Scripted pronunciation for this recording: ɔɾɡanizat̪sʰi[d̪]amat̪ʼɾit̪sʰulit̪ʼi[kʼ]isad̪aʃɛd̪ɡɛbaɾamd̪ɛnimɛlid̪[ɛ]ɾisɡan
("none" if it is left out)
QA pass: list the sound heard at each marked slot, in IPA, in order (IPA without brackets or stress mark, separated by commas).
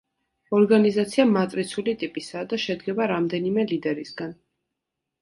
none, pʼ, ɛ